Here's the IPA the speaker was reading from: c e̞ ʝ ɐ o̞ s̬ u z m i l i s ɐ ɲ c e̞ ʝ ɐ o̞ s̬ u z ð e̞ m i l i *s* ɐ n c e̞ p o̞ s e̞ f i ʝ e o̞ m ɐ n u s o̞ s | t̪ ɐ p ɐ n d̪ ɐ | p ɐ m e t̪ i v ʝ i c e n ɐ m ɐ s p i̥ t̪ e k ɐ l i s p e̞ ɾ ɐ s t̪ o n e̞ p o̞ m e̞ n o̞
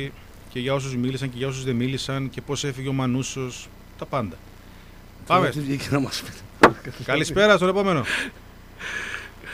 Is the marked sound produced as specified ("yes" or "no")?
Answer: yes